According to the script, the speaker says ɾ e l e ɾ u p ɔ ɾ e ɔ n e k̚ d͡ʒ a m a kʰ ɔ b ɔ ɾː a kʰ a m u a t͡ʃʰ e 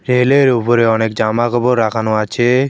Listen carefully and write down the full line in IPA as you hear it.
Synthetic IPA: ɾ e l e ɾ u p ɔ ɾ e ɔ n e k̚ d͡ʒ a m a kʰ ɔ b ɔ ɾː a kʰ a n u a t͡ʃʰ e